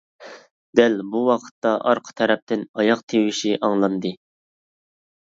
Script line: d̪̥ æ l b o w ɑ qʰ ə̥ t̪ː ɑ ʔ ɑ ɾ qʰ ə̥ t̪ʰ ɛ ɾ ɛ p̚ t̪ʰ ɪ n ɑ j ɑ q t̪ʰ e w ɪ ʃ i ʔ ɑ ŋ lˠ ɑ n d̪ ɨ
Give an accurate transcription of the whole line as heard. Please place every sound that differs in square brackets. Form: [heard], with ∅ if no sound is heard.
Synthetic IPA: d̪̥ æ l b [u] w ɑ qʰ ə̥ t̪ː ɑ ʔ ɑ ɾ qʰ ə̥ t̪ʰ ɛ ɾ ɛ p̚ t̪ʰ ɪ n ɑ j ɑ q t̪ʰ e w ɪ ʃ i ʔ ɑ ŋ lˠ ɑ n d̪ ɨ